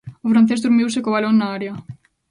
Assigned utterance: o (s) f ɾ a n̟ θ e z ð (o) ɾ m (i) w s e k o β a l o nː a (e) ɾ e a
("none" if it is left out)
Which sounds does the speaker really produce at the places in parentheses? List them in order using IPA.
none, u, i, a

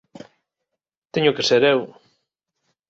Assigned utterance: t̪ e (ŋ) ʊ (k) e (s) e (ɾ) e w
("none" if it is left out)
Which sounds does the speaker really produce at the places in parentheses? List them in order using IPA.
ɲ, k, s, ɾ

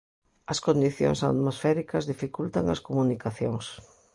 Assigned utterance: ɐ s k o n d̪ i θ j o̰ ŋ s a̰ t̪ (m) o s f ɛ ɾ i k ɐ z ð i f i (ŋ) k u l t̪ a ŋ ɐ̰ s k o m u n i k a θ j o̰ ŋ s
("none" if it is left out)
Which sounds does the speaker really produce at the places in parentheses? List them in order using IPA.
m, none

